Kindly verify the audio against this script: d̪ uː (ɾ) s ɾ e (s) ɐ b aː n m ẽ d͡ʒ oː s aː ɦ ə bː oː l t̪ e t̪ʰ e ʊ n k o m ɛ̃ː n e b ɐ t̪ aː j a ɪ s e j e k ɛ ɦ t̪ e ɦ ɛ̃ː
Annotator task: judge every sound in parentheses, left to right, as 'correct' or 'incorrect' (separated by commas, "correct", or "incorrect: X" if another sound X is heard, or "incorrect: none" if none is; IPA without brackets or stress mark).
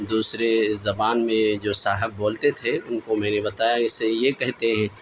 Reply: incorrect: none, incorrect: z